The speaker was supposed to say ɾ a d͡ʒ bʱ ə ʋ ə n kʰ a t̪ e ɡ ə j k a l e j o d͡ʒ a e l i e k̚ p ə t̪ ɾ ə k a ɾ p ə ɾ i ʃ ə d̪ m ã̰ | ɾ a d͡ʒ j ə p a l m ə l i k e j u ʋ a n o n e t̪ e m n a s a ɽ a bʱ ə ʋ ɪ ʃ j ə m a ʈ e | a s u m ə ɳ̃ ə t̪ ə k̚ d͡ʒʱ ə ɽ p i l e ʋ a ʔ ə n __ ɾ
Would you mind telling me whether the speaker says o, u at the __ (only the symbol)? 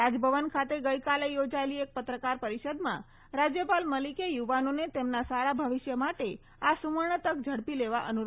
u